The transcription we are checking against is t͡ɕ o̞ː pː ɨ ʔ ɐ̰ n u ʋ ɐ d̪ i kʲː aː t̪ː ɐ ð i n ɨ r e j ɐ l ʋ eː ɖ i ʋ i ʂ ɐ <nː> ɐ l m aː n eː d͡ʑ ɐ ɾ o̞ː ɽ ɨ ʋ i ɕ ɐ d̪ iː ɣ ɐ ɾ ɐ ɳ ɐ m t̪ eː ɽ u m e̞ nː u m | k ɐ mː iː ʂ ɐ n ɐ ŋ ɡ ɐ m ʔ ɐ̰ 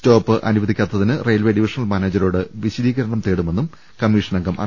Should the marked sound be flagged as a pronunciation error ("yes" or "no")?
yes